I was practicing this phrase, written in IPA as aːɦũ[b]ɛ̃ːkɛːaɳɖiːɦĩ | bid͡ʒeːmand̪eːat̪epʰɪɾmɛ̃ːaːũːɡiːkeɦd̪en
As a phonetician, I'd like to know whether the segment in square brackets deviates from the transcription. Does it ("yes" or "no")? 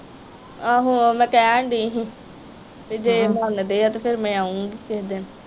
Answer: yes